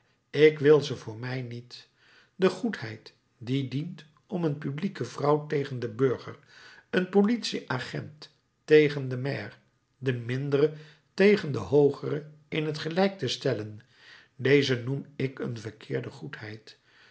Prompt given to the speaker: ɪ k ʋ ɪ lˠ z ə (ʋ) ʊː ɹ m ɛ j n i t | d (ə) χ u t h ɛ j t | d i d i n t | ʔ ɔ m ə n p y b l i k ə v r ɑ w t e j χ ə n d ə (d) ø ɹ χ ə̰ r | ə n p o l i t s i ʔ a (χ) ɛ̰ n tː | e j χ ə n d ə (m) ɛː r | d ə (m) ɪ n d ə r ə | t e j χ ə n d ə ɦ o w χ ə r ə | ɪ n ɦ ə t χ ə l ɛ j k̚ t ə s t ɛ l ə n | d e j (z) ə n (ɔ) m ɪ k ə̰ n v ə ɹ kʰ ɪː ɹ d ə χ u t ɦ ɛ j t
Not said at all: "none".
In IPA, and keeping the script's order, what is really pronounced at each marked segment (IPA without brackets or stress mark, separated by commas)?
v, ə, b, χ, m, m, z, u